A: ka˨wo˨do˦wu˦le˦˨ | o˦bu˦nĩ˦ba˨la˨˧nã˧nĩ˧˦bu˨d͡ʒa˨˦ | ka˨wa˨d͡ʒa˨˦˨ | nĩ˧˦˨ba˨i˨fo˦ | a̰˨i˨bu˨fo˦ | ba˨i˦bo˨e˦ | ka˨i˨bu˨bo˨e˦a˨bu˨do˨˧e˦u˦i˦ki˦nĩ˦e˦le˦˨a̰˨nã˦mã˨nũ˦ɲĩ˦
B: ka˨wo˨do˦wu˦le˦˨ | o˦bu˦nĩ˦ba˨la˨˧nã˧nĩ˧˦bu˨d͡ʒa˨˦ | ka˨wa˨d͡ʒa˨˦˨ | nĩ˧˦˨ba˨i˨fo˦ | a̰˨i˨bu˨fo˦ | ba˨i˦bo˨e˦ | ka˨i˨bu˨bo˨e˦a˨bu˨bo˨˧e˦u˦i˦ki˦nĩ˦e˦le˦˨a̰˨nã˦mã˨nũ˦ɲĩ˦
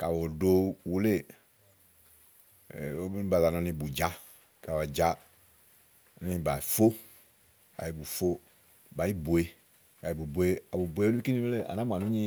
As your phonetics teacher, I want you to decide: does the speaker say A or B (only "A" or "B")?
B